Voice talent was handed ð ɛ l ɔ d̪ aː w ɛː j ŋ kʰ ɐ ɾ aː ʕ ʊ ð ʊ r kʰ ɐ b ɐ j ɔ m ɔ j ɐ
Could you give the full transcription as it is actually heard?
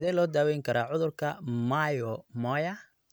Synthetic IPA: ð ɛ l ɔː d̪ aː w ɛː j ŋ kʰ ɐ ɾ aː ʕ ʊ ð ʊ r kʰ ɐ m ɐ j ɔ m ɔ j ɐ